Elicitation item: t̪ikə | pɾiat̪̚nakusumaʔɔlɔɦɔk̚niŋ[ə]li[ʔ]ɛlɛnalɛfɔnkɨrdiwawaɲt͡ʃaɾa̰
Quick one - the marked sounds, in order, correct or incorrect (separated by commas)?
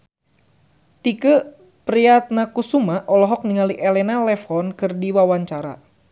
incorrect, correct